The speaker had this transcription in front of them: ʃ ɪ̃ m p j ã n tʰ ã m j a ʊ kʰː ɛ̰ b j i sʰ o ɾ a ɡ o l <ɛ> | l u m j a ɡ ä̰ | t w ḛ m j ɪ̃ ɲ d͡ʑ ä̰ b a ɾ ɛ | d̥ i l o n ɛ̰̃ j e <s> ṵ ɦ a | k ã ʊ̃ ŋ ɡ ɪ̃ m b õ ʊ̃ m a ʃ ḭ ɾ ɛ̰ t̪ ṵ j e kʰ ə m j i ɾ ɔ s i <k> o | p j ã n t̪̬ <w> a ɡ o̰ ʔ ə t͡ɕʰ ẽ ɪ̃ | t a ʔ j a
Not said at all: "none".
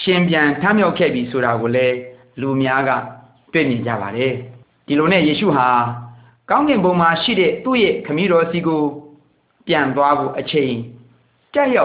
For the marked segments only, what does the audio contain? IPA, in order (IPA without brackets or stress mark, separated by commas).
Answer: ɛ, ʃ, ɡ, w